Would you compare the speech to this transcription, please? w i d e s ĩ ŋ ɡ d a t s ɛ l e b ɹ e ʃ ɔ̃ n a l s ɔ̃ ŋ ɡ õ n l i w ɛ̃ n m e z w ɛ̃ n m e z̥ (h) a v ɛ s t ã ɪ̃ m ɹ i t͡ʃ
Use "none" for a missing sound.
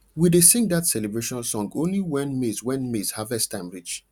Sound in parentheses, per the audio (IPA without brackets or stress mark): h